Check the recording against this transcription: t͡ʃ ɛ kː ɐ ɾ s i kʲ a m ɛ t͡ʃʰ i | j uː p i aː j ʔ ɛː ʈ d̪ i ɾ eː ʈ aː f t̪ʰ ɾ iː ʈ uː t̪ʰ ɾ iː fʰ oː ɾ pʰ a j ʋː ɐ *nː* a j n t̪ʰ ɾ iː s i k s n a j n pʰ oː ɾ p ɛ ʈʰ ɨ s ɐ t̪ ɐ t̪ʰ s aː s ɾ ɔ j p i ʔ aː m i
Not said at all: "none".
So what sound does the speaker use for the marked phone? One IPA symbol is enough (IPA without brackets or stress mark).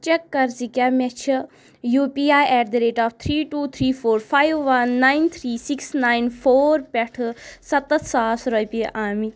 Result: nː